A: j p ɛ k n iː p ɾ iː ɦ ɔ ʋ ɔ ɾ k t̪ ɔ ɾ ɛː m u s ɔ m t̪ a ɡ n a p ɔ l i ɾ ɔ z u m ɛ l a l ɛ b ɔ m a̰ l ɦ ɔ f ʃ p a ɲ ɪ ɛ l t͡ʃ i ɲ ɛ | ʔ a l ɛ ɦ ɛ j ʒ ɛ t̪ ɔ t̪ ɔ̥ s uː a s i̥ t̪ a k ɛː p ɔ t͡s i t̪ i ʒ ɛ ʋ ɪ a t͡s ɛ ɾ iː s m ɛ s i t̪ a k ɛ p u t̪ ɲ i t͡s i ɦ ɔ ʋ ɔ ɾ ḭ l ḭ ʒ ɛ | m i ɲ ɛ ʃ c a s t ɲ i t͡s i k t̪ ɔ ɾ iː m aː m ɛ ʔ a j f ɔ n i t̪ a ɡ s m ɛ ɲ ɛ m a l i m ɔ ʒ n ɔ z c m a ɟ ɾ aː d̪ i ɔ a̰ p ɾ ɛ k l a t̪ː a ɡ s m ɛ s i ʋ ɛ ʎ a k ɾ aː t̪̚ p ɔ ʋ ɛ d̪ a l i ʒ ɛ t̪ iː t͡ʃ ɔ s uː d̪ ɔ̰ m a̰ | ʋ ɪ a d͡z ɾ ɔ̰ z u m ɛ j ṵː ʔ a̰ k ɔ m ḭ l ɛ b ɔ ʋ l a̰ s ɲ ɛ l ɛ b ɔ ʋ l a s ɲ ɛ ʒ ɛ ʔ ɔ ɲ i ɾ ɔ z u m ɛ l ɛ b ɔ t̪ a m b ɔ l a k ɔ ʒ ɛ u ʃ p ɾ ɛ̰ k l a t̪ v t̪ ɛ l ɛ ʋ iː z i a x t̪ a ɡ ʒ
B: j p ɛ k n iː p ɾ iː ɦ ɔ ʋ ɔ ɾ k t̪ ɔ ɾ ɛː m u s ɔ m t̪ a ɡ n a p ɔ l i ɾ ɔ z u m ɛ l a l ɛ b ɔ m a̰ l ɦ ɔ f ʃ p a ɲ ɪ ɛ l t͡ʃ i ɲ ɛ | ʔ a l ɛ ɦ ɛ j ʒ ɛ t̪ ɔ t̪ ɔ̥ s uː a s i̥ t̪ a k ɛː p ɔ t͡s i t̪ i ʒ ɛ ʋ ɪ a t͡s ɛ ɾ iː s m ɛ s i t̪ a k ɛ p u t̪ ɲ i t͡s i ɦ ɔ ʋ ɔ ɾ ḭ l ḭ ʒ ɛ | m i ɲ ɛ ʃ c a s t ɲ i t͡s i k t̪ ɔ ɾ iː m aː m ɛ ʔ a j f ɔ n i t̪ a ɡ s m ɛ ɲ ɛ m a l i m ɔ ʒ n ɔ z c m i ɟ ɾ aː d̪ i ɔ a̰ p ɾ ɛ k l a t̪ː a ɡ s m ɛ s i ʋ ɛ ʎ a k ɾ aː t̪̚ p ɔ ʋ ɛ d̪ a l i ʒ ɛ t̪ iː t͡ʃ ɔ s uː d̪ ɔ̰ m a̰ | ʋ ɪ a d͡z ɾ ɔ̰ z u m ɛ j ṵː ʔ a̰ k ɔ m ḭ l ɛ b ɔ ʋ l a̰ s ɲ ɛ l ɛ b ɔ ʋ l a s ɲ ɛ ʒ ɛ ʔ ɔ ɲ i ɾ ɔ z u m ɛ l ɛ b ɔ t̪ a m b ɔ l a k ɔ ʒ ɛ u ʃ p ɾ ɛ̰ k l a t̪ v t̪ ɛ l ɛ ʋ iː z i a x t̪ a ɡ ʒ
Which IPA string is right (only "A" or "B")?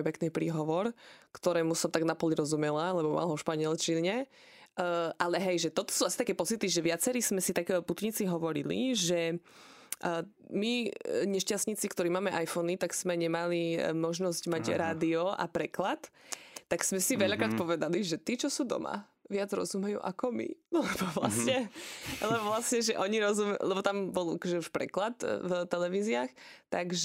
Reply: A